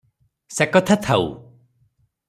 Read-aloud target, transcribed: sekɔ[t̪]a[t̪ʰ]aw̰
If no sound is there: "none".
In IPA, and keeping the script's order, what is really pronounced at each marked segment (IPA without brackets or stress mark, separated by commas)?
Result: t̪ʰ, t̪ʰ